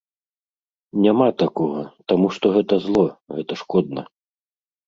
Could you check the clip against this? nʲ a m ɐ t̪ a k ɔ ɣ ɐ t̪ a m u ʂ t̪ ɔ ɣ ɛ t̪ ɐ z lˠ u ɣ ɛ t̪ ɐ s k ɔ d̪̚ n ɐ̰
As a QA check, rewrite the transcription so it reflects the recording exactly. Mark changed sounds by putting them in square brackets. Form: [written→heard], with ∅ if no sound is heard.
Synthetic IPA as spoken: nʲ a m [ɐ→a] t̪ a k ɔ ɣ ɐ t̪ a m u ʂ t̪ ɔ ɣ ɛ t̪ ɐ z lˠ [u→ɔ] ɣ ɛ t̪ ɐ [s→ʂ] k ɔ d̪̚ n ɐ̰